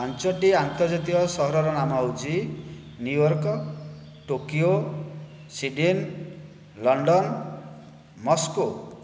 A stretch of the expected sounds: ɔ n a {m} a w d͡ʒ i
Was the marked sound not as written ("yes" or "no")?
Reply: no